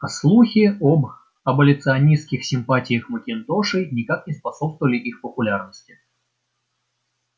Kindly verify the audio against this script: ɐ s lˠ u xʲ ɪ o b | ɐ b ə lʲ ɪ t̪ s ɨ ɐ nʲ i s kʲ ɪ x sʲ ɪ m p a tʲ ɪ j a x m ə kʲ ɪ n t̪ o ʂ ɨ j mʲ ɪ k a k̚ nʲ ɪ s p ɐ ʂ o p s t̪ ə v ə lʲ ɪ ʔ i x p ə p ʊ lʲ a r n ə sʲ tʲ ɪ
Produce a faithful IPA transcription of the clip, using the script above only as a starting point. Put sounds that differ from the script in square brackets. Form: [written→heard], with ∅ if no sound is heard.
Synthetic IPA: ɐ s lˠ u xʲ ɪ o b | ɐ b ə lʲ ɪ t̪ s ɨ ɐ nʲ i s kʲ ɪ x sʲ ɪ m p a tʲ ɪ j [a→ə] x m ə kʲ ɪ n t̪ o ʂ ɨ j [mʲ→nʲ] ɪ k a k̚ nʲ ɪ s p ɐ [ʂ→s] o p s t̪ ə v ə lʲ ɪ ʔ i x p ə p ʊ lʲ a r n ə sʲ tʲ ɪ